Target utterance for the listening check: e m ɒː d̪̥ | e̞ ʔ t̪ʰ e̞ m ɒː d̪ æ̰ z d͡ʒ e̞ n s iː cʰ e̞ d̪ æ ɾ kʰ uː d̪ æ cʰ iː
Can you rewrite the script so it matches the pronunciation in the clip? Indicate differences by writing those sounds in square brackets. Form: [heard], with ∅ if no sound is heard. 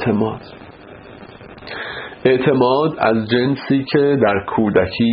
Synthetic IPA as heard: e m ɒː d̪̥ | e̞ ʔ t̪ʰ e̞ m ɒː d̪ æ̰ z d͡ʒ e̞ n s iː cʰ e̞ d̪ æ ɾ kʰ uː d̪ æ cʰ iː